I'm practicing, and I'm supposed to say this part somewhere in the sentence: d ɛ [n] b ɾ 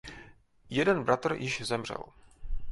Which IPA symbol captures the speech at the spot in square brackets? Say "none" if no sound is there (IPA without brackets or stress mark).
n